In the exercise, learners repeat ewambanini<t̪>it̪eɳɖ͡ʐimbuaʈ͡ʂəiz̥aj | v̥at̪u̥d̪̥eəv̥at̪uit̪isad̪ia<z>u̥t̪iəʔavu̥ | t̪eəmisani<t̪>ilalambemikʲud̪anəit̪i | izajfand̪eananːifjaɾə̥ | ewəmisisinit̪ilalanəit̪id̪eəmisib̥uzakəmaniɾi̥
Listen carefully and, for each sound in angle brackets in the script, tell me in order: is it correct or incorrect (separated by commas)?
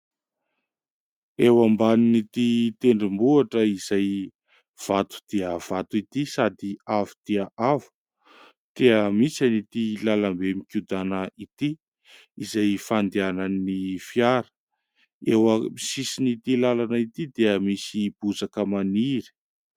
correct, incorrect, correct